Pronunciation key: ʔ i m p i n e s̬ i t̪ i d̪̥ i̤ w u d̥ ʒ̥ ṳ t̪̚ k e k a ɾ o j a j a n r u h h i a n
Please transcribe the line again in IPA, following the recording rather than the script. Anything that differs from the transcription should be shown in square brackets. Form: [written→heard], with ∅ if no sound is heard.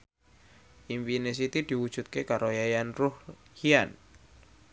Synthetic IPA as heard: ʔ i m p i n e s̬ i t̪ i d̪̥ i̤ w u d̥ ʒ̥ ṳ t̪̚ k e k a ɾ o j a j a n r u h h i a n